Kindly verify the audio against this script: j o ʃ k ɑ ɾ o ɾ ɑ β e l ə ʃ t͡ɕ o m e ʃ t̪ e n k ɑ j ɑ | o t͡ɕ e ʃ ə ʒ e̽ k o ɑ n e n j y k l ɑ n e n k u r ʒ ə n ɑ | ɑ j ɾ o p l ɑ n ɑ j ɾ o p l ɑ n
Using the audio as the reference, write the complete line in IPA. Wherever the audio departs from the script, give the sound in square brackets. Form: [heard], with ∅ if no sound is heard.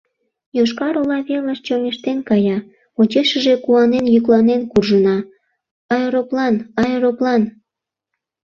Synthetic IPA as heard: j o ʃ k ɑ ɾ o [l] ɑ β e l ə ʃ t͡ɕ o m e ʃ t̪ e n k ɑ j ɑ | o t͡ɕ e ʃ ə ʒ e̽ k [u] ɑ n e n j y k l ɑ n e n k u r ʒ ə n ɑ | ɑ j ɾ o p l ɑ n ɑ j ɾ o p l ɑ n